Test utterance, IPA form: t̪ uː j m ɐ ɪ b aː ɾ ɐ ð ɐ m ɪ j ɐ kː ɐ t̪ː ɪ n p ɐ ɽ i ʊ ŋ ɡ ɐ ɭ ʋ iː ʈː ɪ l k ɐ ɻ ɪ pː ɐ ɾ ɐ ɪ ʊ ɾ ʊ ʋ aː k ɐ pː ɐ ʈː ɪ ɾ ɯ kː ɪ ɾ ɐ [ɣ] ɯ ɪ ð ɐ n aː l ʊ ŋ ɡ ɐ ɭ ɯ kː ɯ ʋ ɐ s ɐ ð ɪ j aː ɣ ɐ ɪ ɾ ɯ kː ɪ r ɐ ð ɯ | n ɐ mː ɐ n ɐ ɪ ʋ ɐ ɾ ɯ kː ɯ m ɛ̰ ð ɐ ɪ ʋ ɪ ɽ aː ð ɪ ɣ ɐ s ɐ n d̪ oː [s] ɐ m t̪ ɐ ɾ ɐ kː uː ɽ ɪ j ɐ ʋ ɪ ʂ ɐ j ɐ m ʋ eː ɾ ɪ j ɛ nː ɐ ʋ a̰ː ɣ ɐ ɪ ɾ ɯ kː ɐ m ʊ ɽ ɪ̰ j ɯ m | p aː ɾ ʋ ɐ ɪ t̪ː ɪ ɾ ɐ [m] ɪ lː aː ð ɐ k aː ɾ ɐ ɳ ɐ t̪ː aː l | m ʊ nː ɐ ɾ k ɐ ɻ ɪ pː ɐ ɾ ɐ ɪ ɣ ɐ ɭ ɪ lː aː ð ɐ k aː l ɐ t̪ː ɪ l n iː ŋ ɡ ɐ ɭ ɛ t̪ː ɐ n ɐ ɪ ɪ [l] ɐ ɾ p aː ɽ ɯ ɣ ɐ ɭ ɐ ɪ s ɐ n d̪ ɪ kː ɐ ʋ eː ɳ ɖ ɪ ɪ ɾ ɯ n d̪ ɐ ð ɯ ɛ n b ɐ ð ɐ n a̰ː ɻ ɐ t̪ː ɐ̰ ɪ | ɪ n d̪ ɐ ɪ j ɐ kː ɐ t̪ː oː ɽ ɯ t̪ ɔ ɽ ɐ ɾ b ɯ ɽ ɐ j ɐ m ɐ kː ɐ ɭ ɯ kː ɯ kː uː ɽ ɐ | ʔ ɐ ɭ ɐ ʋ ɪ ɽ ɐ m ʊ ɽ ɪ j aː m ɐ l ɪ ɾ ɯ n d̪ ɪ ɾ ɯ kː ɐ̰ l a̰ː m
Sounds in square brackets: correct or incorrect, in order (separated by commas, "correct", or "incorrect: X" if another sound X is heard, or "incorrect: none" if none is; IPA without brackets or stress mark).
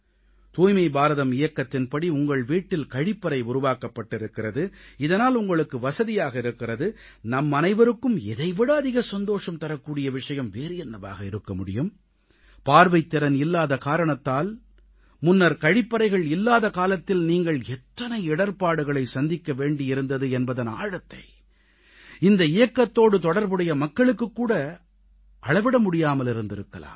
incorrect: ð, incorrect: ʂ, incorrect: n, incorrect: ɽ